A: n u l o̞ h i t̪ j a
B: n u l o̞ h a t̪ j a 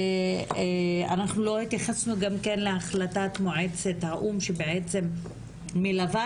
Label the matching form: A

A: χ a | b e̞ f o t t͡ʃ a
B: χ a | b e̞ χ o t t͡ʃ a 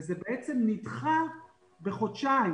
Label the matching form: B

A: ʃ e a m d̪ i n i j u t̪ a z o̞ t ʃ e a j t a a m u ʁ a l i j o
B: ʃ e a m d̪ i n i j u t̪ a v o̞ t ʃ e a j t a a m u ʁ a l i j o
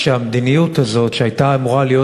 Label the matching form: A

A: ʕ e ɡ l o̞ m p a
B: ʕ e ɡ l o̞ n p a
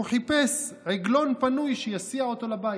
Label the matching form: B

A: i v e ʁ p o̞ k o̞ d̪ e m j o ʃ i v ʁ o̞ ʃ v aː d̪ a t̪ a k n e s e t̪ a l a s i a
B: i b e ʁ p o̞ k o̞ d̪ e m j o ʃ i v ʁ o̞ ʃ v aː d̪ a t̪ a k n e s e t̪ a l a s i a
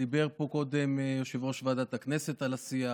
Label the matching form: B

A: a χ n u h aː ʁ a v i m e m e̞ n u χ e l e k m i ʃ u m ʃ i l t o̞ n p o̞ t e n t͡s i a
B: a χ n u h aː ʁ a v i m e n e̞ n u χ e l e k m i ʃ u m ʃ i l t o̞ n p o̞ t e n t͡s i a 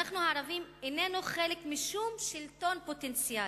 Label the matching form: B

